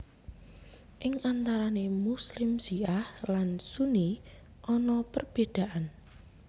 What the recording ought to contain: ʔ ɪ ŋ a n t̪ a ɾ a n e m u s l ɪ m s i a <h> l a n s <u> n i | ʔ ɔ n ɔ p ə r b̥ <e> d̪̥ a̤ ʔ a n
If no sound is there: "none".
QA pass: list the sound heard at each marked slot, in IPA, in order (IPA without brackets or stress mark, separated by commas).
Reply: h, u, e